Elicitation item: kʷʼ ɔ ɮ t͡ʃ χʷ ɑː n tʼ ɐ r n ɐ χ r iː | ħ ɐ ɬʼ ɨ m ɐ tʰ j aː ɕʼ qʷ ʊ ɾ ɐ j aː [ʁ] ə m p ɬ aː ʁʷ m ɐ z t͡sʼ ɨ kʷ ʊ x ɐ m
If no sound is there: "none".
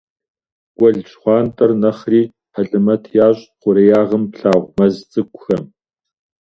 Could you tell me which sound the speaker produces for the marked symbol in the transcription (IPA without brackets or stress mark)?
ʁ